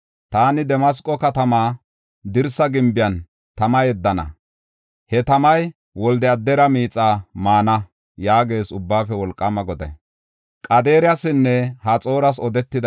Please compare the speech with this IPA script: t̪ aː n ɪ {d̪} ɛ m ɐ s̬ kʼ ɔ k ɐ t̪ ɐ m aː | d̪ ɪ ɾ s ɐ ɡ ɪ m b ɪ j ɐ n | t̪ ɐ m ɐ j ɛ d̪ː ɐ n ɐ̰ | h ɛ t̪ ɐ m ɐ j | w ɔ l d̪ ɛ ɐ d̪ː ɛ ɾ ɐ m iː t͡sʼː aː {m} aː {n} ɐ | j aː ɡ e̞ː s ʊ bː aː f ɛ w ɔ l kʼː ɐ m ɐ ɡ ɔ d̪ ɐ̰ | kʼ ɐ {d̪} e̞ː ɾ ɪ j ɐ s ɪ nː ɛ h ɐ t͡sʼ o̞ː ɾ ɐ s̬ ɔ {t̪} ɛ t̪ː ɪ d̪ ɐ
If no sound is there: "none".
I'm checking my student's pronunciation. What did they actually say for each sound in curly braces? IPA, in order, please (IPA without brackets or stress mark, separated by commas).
d̪, m, n, d̪, d̪